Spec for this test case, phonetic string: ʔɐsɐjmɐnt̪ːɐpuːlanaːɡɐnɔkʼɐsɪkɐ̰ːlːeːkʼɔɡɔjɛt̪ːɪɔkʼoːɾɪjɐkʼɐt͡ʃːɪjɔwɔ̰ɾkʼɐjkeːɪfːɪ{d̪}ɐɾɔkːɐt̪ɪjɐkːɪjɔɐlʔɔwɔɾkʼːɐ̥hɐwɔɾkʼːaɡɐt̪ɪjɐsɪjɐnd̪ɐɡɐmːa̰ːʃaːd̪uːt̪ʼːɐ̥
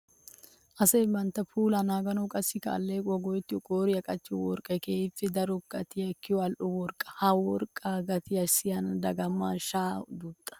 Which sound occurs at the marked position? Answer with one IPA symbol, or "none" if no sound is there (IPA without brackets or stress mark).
d̪